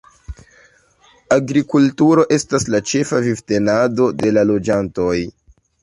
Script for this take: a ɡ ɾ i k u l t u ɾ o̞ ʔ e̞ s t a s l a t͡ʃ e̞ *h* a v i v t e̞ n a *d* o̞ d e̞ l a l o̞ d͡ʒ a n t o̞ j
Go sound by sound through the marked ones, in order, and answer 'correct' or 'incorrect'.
incorrect: f, correct

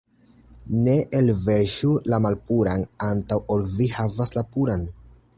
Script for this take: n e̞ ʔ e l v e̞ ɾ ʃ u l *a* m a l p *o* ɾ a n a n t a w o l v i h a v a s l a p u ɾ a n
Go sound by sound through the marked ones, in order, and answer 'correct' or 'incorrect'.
correct, incorrect: u

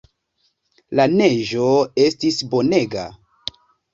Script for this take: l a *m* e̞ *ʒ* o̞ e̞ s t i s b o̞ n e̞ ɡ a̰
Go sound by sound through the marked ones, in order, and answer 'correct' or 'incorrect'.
incorrect: n, correct

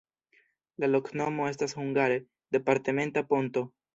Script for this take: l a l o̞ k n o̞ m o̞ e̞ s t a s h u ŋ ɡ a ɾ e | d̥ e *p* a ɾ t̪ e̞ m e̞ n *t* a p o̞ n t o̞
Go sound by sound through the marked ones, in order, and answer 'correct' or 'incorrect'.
correct, correct

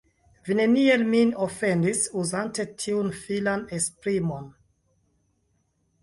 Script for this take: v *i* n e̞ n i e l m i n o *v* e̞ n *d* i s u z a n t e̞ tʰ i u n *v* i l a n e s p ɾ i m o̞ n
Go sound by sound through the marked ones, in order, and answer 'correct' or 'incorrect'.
correct, incorrect: f, correct, incorrect: f

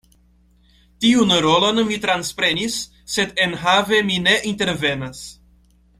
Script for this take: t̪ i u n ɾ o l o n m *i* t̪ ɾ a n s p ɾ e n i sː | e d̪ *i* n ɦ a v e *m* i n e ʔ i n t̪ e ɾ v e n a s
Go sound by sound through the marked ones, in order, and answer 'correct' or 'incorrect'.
correct, incorrect: e, correct

